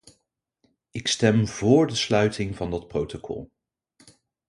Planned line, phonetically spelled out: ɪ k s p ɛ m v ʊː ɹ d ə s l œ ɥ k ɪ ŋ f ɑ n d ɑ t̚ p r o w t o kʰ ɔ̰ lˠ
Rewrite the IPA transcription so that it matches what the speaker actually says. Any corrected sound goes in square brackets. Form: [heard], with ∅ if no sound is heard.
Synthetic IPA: ɪ k s [t] ɛ m v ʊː ɹ d ə s l œ ɥ [t] ɪ ŋ [v] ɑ n d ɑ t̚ p r o w t o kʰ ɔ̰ lˠ

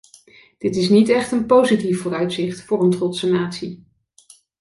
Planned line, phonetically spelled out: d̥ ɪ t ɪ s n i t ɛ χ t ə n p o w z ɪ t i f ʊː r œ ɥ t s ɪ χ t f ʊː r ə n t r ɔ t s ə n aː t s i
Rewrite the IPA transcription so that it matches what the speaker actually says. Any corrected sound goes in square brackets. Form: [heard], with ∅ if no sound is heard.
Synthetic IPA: d̥ ɪ t ɪ s n i t ɛ χ t ə n p o w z [i] t i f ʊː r œ ɥ t s ɪ χ t f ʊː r ə n t r ɔ t s ə n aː t s i

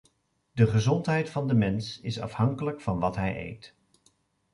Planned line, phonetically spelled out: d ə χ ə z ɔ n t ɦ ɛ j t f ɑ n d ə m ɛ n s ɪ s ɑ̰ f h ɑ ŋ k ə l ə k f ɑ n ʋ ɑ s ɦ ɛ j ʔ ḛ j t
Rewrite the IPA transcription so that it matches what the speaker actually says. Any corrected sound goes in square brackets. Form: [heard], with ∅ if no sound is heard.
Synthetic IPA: d ə χ ə z ɔ n t ɦ ɛ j t f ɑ n d ə m ɛ n s ɪ s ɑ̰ f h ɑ ŋ k ə l ə k f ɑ n ʋ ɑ [t] ɦ ɛ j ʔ ḛ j t

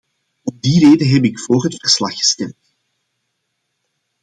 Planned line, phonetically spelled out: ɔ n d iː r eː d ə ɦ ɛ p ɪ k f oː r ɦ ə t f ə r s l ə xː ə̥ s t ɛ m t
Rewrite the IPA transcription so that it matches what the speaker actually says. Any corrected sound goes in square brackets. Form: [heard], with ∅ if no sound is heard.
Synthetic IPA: ɔ [m] d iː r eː d ə ɦ ɛ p ɪ k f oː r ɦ ə t f ə r s l [ɑ] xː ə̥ s t ɛ m t

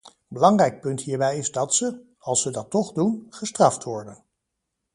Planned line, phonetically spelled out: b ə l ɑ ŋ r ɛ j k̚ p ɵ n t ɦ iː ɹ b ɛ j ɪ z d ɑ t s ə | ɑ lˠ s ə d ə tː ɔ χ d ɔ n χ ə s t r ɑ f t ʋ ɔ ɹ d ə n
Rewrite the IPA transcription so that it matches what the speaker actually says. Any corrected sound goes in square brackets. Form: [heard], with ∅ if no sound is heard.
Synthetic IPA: b ə l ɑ ŋ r ɛ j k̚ p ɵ n t ɦ iː ɹ b ɛ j ɪ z d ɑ t s ə | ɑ lˠ s ə d [ɑ] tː ɔ χ d [u] n χ ə s t r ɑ f t ʋ ɔ ɹ d ə n

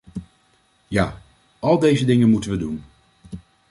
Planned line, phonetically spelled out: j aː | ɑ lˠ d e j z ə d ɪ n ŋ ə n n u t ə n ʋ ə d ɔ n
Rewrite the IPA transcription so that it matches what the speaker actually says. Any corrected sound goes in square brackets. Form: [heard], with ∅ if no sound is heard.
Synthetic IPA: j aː | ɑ lˠ d e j z ə d ɪ [∅] ŋ ə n [m] u t ə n ʋ ə d [u] n

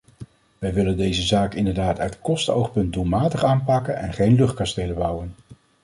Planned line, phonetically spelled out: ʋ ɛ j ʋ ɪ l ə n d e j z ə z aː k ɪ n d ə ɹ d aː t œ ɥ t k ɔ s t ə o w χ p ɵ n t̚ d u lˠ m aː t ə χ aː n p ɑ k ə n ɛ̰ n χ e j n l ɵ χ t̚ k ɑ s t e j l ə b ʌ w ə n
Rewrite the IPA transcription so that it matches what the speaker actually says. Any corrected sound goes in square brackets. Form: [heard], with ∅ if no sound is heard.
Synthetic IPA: ʋ ɛ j ʋ ɪ l ə n d e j z ə z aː k ɪ n d ə ɹ d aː t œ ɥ t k ɔ s t ə o w χ p ɵ n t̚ d u lˠ m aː t ə χ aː n p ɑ k ə n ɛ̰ n χ e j n l ɵ χ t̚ k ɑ s t e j l ə b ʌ w ə n

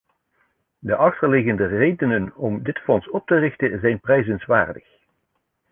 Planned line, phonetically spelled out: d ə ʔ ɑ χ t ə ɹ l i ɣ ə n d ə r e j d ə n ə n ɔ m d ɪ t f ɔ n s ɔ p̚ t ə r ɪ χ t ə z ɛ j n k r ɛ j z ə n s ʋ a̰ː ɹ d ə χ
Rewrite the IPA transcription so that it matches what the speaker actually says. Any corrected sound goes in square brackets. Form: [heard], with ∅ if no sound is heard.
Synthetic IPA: d ə ʔ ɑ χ t ə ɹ l [ɪ] ɣ ə n d ə r e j d ə n ə n ɔ m d ɪ t f ɔ n s ɔ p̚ t ə r ɪ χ t ə z ɛ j n [p] r ɛ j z ə n s ʋ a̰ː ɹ d ə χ

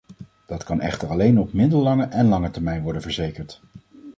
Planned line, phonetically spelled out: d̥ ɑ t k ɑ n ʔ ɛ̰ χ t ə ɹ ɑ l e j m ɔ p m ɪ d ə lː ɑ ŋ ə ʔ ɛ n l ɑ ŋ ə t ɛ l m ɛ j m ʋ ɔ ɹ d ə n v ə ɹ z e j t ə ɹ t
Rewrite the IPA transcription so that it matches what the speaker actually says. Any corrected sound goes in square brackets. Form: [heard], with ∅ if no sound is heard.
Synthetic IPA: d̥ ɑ t k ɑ n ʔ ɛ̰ χ t ə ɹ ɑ l e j [n] ɔ p m ɪ d ə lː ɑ ŋ ə ʔ ɛ n l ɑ ŋ ə t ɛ [ɹ] m ɛ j [n] ʋ ɔ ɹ d ə n v ə ɹ z e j [k] ə ɹ t

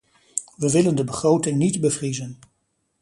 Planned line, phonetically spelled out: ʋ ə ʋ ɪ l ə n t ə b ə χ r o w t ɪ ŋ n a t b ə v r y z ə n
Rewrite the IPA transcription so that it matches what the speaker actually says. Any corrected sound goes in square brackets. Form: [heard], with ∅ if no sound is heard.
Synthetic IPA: ʋ ə ʋ ɪ l ə n [d] ə b ə χ r o w t ɪ ŋ n [i] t b ə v r [i] z ə n

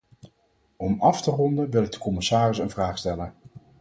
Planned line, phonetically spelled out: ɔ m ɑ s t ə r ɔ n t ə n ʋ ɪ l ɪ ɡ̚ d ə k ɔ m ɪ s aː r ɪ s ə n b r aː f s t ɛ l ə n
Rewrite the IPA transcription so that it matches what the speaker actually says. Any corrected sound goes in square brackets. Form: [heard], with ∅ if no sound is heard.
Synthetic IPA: ɔ m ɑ [f] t ə r ɔ n [d] ə n ʋ ɪ l ɪ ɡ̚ d ə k ɔ m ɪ s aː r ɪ s ə n [v] r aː [χ] s t ɛ l ə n

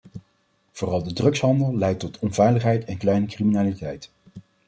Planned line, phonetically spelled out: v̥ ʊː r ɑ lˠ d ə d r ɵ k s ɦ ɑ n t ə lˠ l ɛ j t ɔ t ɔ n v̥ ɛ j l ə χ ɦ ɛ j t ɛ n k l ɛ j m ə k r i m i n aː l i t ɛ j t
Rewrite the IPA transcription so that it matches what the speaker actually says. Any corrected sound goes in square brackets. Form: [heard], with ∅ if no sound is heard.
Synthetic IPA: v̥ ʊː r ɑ lˠ d ə d r ɵ k s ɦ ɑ n [d] ə lˠ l ɛ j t ɔ t ɔ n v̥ ɛ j l ə χ ɦ ɛ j t ɛ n k l ɛ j [n] ə k r i m i n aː l i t ɛ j t

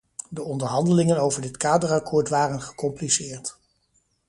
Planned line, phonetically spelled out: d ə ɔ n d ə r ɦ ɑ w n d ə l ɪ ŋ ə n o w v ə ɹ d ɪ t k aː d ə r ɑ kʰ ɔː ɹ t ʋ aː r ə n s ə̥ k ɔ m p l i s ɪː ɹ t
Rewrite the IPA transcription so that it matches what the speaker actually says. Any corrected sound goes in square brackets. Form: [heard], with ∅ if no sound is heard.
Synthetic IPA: d ə ɔ n d ə [ɹ] ɦ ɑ [∅] n d ə l ɪ ŋ ə n o w v ə ɹ d ɪ t k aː d ə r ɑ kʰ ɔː ɹ t ʋ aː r ə n [χ] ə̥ k ɔ m p l i s ɪː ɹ t

